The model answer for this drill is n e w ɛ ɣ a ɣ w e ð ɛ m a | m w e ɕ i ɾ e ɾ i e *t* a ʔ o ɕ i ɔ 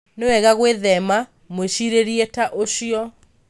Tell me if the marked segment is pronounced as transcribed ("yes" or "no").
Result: yes